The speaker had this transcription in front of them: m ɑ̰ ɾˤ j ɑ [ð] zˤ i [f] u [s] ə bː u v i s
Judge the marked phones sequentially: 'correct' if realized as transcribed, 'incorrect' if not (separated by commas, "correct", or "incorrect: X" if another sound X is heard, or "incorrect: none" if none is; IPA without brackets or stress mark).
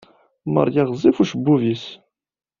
incorrect: ʁ, correct, incorrect: ʃ